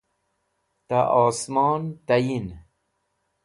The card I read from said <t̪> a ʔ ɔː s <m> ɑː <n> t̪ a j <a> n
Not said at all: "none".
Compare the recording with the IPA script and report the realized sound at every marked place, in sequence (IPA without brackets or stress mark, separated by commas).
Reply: t̪, m, n, i